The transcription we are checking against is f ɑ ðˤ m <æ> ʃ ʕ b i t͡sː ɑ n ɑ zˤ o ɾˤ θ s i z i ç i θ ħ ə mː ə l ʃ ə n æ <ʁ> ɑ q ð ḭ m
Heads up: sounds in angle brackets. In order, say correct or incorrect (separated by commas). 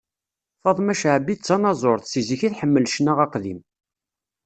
correct, correct